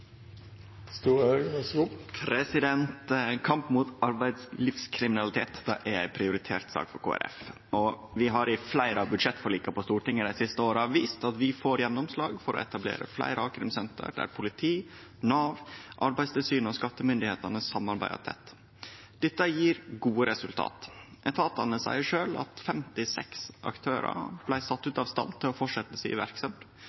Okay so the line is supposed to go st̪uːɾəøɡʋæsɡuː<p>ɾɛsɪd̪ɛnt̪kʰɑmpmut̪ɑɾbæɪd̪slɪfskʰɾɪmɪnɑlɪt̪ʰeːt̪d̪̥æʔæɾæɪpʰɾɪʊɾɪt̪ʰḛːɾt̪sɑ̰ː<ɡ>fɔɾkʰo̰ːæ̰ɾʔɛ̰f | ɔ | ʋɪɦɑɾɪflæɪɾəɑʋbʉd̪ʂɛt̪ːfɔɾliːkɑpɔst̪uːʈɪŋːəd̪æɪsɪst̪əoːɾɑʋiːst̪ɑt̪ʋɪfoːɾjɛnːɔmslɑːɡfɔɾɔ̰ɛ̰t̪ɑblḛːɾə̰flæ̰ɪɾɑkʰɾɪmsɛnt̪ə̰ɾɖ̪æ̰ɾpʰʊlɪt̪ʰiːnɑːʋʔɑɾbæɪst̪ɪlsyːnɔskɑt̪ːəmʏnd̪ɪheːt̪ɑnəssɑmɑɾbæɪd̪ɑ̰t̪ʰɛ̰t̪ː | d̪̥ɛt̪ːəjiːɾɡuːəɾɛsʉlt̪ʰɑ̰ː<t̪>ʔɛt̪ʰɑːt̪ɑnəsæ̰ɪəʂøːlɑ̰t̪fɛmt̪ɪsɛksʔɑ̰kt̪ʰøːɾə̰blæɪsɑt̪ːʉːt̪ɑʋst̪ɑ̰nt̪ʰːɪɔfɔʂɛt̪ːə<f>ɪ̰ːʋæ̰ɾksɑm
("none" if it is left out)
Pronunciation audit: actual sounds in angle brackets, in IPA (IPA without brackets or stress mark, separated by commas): pʰ, k, t̪, s